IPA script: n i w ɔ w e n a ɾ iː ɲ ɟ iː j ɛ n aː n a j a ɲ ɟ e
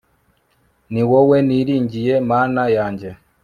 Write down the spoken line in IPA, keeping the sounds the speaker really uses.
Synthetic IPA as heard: n i w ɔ w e n i ɾ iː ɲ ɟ i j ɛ m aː n a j a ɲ ɟ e